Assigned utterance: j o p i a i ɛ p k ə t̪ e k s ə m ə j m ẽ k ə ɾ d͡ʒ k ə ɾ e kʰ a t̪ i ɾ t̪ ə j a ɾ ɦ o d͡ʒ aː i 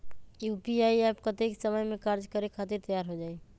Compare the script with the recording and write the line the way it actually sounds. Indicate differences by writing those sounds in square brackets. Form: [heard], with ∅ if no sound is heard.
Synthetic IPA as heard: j [u] p i a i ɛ p k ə t̪ e k s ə m ə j m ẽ k [a] ɾ d͡ʒ k ə ɾ e kʰ a t̪ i ɾ t̪ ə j a ɾ ɦ o d͡ʒ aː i